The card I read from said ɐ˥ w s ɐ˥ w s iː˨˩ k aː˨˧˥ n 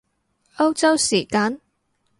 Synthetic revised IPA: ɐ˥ w t͡s ɐ˥ w s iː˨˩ k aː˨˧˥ n